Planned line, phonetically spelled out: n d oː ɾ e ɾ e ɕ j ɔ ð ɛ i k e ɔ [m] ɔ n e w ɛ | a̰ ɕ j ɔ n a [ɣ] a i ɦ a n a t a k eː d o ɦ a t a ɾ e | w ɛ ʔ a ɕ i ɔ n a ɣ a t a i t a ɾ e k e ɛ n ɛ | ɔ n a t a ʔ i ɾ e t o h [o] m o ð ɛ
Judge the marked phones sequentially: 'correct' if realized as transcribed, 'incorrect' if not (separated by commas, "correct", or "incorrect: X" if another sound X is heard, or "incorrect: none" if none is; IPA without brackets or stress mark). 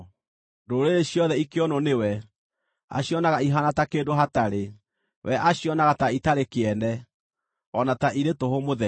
incorrect: n, correct, correct